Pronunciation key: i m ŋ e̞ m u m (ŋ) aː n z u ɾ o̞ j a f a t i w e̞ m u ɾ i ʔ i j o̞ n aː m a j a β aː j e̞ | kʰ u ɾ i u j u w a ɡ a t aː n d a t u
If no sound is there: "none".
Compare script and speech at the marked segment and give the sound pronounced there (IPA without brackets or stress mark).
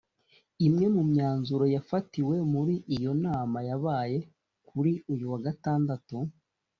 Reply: ɲ